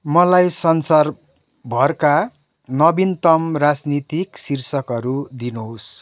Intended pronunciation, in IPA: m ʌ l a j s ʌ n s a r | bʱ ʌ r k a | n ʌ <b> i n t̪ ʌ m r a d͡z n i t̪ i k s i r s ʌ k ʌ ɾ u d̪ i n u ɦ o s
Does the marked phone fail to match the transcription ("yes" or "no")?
no